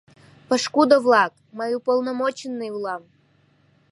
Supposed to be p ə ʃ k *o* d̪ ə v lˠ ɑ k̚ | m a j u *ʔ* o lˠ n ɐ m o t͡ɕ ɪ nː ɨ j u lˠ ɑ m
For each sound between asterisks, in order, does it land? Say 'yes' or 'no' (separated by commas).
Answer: no, no